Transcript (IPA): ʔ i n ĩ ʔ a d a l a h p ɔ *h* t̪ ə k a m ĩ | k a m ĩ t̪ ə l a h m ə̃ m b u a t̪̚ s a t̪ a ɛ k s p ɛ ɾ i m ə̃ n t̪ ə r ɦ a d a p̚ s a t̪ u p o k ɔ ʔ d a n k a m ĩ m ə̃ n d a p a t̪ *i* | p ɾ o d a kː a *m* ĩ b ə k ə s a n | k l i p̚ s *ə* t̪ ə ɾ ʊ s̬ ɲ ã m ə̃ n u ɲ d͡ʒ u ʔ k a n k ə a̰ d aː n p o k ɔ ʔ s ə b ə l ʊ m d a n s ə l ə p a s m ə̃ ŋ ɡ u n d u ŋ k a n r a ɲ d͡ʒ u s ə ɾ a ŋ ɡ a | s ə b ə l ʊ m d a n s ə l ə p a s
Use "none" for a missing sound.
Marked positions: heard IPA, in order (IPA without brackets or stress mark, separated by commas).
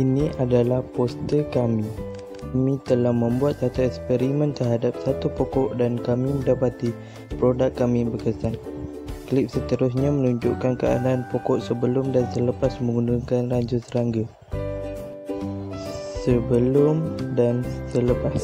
s, i, m, ə